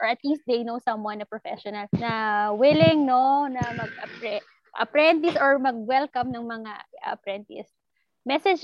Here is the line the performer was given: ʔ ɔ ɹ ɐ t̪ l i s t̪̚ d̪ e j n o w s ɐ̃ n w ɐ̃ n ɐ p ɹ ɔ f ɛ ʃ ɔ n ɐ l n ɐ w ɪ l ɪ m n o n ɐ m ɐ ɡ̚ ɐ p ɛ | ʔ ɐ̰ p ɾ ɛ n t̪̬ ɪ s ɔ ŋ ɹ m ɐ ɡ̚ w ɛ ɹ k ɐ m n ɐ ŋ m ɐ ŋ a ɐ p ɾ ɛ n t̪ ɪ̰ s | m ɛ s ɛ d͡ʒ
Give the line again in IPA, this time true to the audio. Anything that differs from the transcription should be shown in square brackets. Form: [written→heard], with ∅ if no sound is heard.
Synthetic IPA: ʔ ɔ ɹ ɐ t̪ l i s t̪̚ d̪ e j n o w s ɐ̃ [n→m] w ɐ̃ n ɐ p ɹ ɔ f ɛ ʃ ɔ n ɐ l n ɐ w ɪ l ɪ [m→ŋ] n o n ɐ m ɐ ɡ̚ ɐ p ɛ | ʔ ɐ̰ p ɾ ɛ n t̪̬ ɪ s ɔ [ŋ→∅] ɹ m ɐ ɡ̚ w ɛ [ɹ→l] k ɐ m n ɐ ŋ m ɐ ŋ a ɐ p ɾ ɛ n t̪ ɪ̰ s | m ɛ s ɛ d͡ʒ